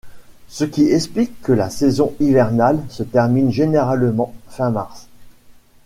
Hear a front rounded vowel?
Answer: no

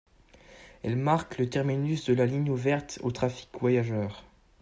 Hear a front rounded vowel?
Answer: yes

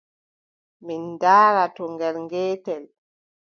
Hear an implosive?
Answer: no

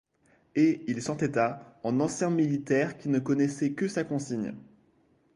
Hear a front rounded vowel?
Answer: no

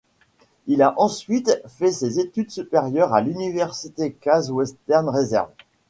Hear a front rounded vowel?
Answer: yes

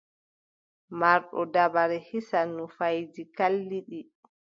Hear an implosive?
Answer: yes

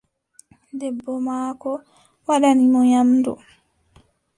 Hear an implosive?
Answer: yes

